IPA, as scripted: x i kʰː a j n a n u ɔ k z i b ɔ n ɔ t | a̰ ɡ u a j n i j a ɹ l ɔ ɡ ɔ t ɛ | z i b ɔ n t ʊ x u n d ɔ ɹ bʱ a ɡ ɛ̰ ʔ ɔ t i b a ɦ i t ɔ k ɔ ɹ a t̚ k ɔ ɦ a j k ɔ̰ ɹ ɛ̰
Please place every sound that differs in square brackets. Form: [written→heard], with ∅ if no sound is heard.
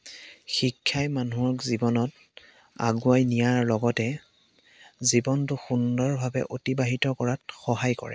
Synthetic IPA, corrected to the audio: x i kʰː a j [n→m] a n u ɔ k z i b ɔ n ɔ t | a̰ ɡ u a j n i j a ɹ l ɔ ɡ ɔ t ɛ | z i b ɔ n t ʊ x u n d ɔ ɹ bʱ a [ɡ→b] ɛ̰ ʔ [ɔ→o] t i b a ɦ i t ɔ k ɔ ɹ a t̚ [k→x] ɔ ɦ a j k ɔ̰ ɹ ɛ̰